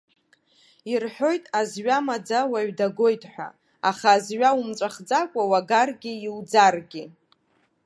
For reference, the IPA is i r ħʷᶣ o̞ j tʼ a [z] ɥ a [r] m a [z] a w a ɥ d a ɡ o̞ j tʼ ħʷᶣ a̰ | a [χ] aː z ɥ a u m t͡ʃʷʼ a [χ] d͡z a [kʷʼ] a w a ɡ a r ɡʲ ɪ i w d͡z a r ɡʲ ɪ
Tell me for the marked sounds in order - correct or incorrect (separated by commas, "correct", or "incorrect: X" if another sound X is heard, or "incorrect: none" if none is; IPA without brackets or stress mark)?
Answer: correct, incorrect: none, incorrect: d͡z, correct, correct, correct